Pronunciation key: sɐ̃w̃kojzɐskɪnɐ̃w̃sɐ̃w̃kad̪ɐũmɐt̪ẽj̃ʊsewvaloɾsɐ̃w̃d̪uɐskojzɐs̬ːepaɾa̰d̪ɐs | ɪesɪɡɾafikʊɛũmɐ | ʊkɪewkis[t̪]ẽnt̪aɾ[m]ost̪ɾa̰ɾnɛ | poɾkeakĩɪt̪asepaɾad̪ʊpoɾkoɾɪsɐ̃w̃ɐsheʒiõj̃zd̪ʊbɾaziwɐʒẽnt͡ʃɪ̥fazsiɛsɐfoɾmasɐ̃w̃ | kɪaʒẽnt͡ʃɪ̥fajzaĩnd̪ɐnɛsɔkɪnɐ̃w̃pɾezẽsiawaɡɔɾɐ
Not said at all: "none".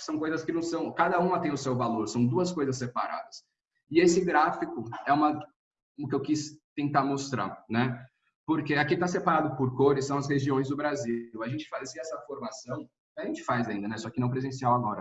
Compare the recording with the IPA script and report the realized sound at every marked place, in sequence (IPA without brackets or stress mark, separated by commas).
t̪, m